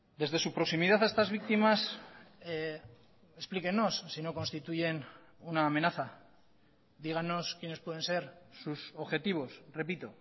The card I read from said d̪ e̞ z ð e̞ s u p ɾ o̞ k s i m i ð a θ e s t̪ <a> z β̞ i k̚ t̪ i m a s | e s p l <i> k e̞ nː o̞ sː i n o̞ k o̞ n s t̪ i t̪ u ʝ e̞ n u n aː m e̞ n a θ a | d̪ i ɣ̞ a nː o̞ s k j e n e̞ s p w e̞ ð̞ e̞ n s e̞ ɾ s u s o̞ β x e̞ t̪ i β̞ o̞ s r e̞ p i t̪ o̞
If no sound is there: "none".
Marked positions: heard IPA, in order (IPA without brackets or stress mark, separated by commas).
a, i